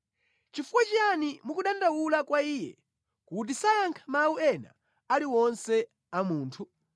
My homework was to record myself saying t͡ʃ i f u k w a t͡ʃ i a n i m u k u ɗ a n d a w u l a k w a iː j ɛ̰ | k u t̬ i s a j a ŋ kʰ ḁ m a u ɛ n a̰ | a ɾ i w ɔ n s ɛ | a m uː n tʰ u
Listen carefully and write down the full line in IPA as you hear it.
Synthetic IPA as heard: t͡ʃ i f u k w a t͡ʃ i a n i m u k u ɗ a n d a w u l a k w a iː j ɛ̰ | k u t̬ i s a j a ŋ kʰ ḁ m a u ɛ n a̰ | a l i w ɔ n s ɛ | a m uː n tʰ u